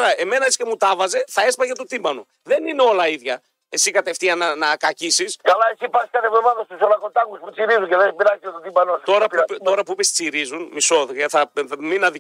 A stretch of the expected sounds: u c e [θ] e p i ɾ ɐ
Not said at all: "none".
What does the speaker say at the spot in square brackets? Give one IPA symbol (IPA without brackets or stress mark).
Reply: ð